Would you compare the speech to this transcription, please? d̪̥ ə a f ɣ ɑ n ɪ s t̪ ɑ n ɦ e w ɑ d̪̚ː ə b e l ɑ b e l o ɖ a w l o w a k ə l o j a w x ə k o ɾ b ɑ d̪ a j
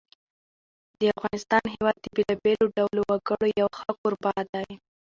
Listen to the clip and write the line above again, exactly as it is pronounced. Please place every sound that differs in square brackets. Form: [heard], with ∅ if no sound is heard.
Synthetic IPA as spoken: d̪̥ ə a f ɣ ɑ n ɪ s t̪ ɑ n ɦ e w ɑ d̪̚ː ə b e l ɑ b e l o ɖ a w l o w a [ɡ] ə [ɽ] o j a w x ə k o ɾ b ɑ d̪ a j